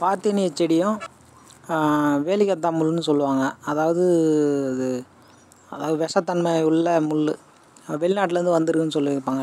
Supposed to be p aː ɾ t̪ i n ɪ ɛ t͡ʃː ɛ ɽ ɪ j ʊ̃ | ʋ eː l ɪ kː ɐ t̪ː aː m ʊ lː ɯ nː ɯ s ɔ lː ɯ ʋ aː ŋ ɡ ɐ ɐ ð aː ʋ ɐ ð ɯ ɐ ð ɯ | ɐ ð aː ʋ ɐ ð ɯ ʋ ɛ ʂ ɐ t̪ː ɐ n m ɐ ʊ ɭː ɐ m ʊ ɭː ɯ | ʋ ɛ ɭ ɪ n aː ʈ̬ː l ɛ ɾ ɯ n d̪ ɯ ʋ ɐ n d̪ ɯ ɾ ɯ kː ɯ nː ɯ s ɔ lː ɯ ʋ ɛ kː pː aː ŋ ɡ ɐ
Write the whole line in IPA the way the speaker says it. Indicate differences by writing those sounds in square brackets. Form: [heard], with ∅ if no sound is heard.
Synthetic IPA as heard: p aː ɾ t̪ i n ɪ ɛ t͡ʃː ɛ ɽ ɪ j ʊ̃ | ʋ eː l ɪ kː ɐ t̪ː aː m ʊ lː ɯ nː ɯ s ɔ lː ɯ ʋ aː ŋ ɡ ɐ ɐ ð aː ʋ ɐ ð ɯ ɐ ð ɯ | ɐ ð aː ʋ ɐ ð ɯ ʋ ɛ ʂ ɐ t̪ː ɐ n m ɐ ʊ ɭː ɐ m ʊ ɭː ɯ | ʋ ɛ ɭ ɪ n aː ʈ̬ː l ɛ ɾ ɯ n d̪ ɯ ʋ ɐ n d̪ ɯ ɾ ɯ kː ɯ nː ɯ s ɔ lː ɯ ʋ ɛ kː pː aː ŋ ɡ ɐ